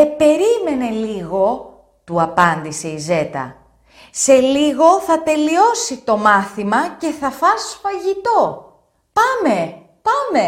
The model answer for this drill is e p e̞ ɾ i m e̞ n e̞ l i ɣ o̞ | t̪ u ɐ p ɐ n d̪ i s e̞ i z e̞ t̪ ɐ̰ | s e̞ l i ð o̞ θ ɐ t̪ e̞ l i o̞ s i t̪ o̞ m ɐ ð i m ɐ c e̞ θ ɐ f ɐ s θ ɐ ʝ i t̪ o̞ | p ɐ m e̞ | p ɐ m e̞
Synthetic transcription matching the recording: e p e̞ ɾ i m e̞ n e̞ l i ɣ o̞ | t̪ u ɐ p ɐ n d̪ i s e̞ i z e̞ t̪ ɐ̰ | s e̞ l i ɣ o̞ θ ɐ t̪ e̞ l i o̞ s i t̪ o̞ m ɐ θ i m ɐ c e̞ θ ɐ f ɐ s f ɐ ʝ i t̪ o̞ | p ɐ m e̞ | p ɐ m e̞